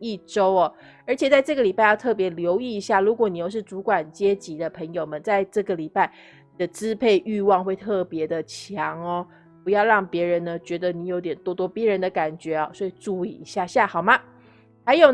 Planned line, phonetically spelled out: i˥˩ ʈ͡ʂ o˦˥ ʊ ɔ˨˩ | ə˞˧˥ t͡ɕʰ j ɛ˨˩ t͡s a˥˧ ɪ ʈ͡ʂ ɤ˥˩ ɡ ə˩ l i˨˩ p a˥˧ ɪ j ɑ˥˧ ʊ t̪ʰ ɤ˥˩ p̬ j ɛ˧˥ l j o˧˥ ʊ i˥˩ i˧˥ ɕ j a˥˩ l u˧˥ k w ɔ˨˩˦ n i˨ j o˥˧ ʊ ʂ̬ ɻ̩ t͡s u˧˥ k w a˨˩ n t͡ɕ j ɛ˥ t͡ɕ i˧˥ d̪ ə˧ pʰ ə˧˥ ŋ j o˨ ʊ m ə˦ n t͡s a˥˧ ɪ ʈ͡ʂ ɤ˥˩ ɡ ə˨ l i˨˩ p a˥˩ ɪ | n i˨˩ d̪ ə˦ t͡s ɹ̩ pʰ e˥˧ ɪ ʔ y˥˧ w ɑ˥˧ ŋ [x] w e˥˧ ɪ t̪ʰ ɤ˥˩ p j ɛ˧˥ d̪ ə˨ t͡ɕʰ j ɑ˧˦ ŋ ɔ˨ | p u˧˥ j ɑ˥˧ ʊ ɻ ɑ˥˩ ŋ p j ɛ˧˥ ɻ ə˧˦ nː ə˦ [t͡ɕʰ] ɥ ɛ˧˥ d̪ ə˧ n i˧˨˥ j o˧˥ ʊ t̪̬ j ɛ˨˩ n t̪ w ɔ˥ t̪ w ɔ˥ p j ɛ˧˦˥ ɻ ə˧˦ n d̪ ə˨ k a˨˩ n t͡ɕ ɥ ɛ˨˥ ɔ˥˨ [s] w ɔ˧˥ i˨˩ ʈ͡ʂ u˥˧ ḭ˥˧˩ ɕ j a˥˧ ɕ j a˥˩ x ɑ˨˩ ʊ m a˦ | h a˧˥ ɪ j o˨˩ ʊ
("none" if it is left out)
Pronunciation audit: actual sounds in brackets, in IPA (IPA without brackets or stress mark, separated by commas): x, t͡ɕ, s